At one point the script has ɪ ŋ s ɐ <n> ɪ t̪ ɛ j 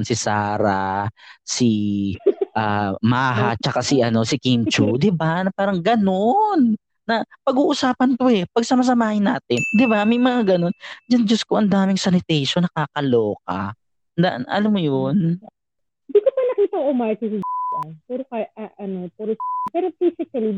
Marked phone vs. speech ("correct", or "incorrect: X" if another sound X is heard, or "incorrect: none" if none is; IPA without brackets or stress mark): correct